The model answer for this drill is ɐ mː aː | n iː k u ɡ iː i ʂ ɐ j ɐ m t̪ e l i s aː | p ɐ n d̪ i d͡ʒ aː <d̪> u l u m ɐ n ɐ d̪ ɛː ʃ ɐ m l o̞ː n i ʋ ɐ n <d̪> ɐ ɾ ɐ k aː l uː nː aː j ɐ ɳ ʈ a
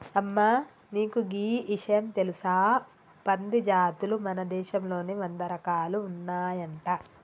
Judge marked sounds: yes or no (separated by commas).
no, yes